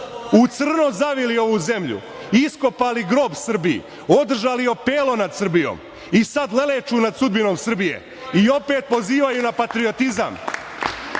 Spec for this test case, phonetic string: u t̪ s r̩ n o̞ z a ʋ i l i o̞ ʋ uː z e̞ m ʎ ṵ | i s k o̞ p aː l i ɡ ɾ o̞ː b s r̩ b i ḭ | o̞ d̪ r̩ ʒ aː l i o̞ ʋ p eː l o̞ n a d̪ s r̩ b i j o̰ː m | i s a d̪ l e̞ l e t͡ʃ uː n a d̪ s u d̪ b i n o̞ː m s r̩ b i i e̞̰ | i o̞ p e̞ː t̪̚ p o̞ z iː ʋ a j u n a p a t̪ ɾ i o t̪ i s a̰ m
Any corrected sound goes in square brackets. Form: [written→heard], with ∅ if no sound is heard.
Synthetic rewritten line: u t̪ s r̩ n o̞ z a ʋ i l i o̞ ʋ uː z e̞ m ʎ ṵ | i s k o̞ p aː l i ɡ ɾ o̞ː b s r̩ b i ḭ | o̞ d̪ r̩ ʒ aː l i o̞ [ʋ→∅] p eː l o̞ n a d̪ s r̩ b i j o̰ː m | i s a d̪ l e̞ l e t͡ʃ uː n a d̪ s u d̪ b i n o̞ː m s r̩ b i [i→j] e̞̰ | i o̞ p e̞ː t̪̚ p o̞ z iː ʋ a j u n a p a t̪ ɾ i o t̪ i [s→z] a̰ m